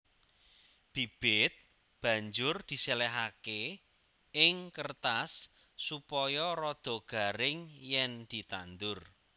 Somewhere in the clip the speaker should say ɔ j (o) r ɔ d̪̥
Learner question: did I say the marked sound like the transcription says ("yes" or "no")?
no